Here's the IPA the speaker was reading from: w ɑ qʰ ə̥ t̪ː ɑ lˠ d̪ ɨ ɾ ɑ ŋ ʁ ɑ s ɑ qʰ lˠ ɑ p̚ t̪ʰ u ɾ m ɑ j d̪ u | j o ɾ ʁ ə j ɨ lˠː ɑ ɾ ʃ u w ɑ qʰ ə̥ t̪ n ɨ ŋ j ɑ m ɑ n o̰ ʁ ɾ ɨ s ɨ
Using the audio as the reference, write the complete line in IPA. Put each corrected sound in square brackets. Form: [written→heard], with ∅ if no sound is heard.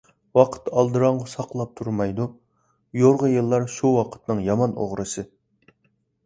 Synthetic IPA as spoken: w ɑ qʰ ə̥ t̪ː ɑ lˠ d̪ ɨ ɾ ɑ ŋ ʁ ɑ s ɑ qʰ lˠ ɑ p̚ t̪ʰ u ɾ m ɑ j d̪ u | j o ɾ ʁ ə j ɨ lˠː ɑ ɾ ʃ u w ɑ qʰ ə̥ t̪ n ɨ ŋ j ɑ m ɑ n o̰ ʁ ɾ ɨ s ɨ